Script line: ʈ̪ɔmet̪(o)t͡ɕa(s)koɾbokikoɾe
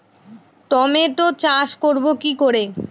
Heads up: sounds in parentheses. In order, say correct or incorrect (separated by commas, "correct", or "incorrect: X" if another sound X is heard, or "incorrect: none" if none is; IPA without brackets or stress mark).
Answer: correct, incorrect: ʃ